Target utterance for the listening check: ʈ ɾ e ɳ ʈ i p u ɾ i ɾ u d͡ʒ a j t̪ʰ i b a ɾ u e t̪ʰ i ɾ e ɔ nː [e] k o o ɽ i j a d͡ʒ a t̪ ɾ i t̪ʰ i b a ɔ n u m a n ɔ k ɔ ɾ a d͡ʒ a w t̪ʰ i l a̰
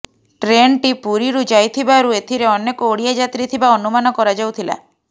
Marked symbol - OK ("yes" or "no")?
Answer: yes